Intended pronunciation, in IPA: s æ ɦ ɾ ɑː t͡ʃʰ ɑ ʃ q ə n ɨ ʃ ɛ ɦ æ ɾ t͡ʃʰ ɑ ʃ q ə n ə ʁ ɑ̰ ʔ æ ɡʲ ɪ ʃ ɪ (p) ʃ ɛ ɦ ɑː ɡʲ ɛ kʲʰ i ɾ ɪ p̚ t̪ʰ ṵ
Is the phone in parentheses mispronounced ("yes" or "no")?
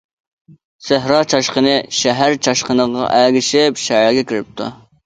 no